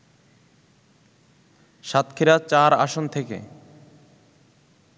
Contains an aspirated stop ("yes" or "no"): yes